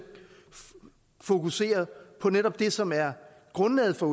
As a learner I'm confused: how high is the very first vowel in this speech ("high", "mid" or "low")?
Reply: mid